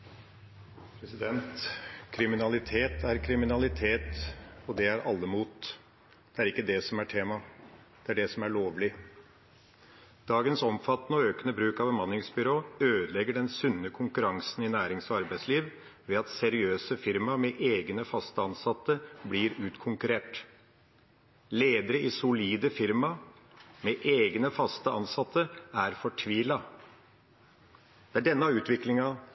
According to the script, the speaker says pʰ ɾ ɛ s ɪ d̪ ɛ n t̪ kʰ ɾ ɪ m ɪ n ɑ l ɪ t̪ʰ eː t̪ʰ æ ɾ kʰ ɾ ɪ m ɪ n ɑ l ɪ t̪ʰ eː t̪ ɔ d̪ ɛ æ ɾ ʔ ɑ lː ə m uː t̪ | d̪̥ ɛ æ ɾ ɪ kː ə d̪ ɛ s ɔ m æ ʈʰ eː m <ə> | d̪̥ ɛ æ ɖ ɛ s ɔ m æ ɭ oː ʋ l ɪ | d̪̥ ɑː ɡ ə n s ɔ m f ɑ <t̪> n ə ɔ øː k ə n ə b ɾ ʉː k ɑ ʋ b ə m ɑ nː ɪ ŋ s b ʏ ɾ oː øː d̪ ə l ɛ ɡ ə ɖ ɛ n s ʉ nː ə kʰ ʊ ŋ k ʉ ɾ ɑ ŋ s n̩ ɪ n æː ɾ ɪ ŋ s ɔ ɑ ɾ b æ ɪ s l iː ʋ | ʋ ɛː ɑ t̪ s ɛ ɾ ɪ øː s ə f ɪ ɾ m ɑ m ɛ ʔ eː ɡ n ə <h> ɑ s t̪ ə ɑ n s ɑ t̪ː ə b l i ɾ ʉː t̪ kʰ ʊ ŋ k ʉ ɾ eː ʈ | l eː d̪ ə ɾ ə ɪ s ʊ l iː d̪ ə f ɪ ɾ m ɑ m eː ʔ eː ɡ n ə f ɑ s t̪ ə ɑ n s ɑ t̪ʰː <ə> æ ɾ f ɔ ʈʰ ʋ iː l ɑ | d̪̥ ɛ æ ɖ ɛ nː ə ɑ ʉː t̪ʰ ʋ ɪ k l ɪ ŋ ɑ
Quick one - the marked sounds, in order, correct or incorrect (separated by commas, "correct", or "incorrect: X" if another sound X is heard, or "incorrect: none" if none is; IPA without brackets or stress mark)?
incorrect: ɑ, correct, incorrect: f, correct